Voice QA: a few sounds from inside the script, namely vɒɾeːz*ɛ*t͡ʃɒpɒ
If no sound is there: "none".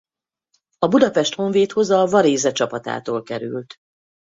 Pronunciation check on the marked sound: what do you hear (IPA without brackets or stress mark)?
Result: ɛ